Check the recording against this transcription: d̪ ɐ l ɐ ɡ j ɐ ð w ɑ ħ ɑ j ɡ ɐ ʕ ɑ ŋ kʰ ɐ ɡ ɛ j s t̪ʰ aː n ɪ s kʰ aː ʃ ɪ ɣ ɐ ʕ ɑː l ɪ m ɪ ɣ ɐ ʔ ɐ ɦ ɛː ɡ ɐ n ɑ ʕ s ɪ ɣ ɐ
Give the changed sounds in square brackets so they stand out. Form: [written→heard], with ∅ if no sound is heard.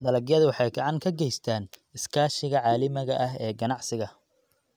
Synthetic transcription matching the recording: d̪ ɐ l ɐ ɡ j ɐ ð w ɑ ħ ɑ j ɡ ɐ ʕ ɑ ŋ kʰ ɐ ɡ ɛ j s t̪ʰ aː n ɪ s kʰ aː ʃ ɪ ɣ ɐ ʕ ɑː l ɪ m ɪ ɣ ɐ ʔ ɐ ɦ ɛː ɡ ɐ n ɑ ʕ s ɪ ɣ ɐ